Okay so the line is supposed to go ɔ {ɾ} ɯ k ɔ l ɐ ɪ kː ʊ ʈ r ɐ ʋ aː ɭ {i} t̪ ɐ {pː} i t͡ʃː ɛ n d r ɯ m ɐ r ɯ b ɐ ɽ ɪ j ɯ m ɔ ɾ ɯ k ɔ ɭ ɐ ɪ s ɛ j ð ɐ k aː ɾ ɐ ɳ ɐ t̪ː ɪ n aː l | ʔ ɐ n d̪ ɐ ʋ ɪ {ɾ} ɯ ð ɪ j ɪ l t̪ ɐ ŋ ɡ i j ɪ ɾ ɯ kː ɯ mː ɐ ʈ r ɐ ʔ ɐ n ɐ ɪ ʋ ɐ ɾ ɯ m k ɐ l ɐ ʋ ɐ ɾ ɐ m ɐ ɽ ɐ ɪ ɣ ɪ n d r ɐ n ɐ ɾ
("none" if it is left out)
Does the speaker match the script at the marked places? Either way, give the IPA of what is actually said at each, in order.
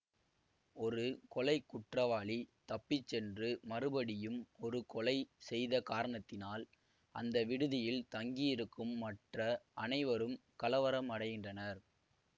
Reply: ɾ, i, pː, ɽ

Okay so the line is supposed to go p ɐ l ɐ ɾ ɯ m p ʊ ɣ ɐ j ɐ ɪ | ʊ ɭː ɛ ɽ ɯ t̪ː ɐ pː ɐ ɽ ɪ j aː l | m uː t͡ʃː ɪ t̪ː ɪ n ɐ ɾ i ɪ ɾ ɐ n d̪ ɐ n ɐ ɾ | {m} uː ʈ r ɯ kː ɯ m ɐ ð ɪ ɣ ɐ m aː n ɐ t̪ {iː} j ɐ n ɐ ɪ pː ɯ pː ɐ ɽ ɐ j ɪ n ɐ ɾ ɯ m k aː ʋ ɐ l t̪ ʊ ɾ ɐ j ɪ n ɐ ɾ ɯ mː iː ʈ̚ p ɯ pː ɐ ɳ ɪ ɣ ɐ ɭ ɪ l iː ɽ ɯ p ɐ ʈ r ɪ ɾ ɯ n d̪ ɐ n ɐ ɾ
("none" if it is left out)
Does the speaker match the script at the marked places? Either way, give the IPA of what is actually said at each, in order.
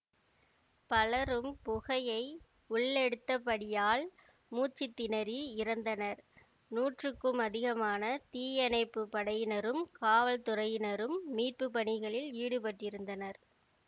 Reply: n, iː

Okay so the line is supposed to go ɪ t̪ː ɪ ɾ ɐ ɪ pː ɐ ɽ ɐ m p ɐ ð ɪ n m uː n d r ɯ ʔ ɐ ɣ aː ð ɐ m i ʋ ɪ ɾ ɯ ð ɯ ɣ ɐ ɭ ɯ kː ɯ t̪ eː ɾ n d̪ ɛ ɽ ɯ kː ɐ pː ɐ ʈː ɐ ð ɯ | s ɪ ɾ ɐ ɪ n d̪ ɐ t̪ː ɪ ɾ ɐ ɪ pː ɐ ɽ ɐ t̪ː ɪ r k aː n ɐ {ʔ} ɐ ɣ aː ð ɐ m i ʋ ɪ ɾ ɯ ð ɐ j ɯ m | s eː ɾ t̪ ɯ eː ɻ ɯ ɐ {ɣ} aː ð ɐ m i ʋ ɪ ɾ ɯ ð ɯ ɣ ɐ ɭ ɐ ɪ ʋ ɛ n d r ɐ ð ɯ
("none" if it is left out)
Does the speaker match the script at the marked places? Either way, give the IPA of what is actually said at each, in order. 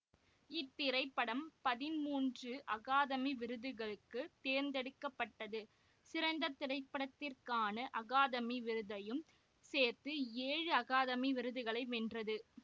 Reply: ʔ, ɣ

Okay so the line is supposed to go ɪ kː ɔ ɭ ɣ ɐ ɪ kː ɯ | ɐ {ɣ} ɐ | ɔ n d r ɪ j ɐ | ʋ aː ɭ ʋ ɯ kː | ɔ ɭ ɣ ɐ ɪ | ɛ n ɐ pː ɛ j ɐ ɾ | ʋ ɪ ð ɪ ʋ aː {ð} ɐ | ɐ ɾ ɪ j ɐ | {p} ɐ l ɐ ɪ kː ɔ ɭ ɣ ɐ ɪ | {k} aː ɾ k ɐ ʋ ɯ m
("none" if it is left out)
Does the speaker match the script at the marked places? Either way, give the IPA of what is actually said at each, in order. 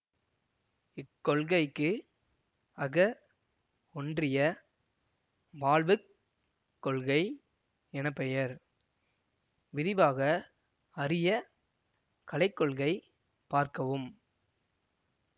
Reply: ɣ, ɣ, k, p

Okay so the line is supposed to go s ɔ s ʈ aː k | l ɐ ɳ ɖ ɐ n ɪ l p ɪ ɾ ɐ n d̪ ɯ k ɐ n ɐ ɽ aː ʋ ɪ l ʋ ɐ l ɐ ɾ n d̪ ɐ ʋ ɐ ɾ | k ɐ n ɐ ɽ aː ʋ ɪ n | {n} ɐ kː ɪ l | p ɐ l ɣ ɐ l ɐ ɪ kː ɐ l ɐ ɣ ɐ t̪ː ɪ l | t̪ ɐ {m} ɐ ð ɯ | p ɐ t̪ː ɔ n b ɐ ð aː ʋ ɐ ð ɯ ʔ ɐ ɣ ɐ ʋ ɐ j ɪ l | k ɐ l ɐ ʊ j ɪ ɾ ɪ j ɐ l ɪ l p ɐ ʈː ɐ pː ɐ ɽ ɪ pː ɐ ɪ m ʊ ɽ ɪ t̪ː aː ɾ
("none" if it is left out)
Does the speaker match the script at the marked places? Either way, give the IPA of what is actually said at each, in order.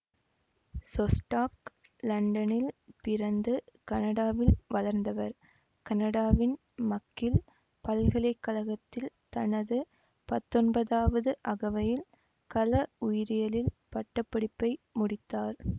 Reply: m, n

